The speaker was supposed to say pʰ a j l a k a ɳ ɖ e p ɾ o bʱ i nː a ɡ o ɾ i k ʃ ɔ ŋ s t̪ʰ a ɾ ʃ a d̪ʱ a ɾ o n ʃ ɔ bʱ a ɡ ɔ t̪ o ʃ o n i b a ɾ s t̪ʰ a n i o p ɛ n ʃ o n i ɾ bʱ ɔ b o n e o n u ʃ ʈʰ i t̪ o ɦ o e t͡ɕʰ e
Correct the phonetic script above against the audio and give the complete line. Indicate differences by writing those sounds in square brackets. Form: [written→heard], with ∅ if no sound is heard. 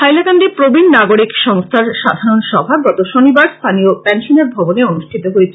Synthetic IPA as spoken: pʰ a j l a k a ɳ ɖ e p ɾ o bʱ i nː a ɡ o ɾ i k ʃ ɔ ŋ s t̪ʰ a ɾ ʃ a d̪ʱ a ɾ o n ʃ ɔ bʱ a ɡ ɔ t̪ o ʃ o n i b a ɾ s t̪ʰ a n i o p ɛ n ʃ o n [i→e] ɾ bʱ ɔ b o n e o n u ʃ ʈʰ i t̪ o ɦ o e t͡ɕʰ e